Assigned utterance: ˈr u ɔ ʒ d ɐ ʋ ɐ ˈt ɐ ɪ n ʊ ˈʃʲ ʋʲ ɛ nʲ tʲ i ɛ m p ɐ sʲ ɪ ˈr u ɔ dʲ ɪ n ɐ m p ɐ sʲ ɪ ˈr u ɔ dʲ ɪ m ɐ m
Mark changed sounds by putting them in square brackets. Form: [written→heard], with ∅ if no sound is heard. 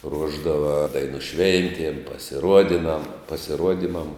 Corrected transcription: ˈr u ɔ ʒ d ɐ ʋ ɐ [ˈt→ˈd] ɐ ɪ n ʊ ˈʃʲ ʋʲ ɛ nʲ tʲ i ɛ m p ɐ sʲ ɪ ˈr u ɔ dʲ ɪ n ɐ m p ɐ sʲ ɪ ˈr u ɔ dʲ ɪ m ɐ m